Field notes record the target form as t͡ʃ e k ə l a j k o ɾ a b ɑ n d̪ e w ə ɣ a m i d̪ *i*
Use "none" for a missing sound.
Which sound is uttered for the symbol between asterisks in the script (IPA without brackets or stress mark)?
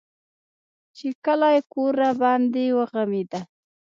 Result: a